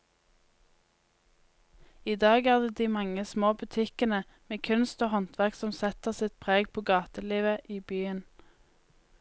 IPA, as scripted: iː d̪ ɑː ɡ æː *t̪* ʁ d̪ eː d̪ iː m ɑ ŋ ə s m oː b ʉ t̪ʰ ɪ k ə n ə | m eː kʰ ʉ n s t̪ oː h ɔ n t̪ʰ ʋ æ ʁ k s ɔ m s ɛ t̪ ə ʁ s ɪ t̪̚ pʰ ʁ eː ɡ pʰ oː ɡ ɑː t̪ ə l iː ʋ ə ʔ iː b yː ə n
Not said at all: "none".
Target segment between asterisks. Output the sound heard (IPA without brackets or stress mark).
none